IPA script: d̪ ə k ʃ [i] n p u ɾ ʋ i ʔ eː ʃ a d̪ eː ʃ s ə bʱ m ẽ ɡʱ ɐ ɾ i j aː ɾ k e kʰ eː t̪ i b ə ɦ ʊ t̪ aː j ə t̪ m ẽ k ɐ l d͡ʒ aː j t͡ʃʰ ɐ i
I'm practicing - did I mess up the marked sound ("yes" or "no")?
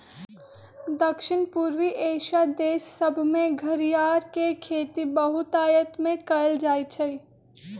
yes